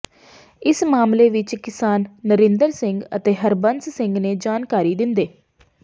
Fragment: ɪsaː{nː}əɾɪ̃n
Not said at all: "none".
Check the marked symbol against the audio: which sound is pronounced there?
nː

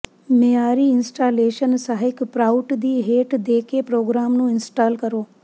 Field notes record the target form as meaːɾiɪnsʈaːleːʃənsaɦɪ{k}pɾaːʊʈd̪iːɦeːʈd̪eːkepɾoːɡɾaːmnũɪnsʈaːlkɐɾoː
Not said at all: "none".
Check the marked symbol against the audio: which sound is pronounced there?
k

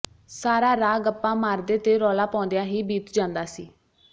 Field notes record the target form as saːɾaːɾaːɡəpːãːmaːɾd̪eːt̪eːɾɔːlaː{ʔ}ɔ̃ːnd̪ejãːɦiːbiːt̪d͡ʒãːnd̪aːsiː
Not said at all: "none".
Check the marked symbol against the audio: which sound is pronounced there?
p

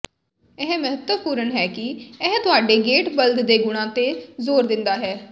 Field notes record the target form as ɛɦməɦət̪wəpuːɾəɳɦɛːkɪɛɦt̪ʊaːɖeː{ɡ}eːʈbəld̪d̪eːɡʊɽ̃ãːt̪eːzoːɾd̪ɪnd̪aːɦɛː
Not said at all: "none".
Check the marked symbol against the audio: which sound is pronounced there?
ɡ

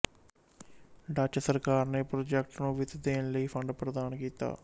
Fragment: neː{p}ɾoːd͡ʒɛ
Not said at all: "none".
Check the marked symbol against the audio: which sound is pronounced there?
p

